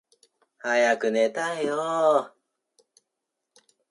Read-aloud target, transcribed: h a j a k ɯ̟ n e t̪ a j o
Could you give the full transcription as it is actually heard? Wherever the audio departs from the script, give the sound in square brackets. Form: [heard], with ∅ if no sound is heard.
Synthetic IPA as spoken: h a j a k ɯ̟ n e t̪ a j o